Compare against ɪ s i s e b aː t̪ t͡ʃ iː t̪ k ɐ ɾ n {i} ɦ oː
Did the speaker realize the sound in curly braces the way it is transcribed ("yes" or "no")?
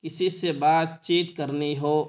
yes